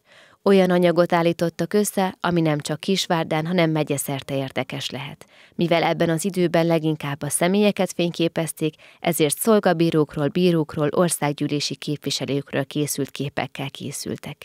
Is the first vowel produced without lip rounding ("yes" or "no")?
no